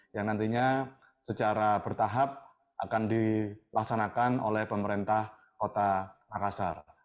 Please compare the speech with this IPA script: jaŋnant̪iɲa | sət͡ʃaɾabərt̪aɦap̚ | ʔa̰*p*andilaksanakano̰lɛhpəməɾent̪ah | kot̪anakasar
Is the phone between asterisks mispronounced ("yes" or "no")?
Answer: yes